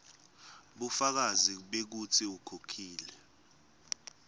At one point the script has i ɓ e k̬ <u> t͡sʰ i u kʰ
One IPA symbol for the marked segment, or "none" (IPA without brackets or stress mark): u